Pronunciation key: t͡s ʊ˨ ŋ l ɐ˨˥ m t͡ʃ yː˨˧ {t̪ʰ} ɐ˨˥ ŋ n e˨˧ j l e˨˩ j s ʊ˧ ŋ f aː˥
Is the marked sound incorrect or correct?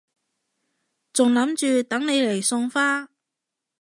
incorrect: t̪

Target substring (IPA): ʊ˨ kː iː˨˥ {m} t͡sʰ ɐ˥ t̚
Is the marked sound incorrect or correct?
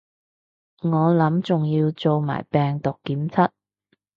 correct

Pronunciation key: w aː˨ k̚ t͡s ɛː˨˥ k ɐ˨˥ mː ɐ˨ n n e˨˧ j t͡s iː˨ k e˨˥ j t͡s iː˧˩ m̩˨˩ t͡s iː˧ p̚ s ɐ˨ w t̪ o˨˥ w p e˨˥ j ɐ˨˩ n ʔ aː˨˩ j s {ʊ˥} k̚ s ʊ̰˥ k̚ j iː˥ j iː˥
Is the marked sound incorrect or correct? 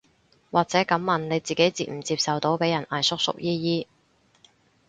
correct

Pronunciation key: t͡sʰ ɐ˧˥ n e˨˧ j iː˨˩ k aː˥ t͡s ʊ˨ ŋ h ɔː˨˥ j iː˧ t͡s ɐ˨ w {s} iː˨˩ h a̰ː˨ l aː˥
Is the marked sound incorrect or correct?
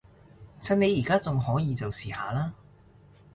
correct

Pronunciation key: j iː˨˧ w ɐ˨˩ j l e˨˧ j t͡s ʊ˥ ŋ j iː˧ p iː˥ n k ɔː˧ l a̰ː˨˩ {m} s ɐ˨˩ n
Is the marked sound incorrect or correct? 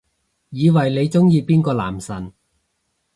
correct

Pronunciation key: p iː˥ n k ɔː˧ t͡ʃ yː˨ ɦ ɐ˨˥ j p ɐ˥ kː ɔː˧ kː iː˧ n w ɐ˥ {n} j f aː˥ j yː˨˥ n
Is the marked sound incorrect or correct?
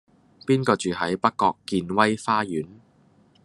incorrect: none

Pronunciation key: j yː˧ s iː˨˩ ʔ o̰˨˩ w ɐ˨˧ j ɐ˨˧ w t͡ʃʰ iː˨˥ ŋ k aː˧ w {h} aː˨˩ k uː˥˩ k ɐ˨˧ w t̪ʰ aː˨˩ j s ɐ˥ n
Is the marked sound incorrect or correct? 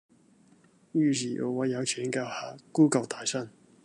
correct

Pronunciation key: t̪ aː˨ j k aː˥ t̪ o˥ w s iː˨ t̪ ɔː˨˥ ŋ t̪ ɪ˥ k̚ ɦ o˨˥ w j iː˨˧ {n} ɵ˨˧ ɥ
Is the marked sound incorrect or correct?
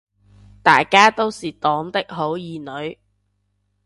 correct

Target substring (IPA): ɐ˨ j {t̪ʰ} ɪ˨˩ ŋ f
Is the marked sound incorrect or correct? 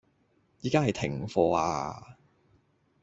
correct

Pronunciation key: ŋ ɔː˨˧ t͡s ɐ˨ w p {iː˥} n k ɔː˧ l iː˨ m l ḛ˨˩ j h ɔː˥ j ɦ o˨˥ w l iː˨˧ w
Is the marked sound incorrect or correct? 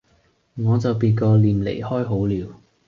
incorrect: iː˧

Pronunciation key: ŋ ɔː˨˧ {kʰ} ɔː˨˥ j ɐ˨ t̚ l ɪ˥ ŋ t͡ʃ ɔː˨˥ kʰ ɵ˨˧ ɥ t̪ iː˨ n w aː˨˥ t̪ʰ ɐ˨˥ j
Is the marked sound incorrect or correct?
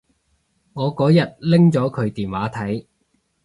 incorrect: k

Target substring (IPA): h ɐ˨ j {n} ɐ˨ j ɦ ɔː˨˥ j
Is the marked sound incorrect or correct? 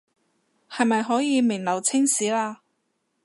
incorrect: m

